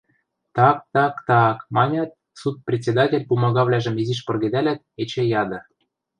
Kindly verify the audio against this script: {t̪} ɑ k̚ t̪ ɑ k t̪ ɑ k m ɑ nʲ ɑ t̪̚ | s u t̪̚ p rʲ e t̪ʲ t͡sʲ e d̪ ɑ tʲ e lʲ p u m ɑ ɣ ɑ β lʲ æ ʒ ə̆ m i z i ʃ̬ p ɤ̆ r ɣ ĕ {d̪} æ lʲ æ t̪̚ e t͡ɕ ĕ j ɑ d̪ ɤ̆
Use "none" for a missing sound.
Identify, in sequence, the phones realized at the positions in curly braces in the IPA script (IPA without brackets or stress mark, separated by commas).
t̪, d̪